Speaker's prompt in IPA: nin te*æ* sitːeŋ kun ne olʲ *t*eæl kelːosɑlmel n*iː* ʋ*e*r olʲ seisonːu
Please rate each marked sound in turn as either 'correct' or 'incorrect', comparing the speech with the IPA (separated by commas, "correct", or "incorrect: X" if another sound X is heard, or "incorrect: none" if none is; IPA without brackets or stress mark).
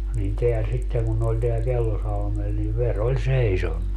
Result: correct, correct, incorrect: i, correct